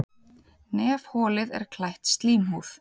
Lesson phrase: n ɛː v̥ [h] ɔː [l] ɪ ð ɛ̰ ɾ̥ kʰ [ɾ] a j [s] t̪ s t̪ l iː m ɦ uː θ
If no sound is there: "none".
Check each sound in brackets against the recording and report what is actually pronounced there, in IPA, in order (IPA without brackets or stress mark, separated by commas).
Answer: h, l, l, h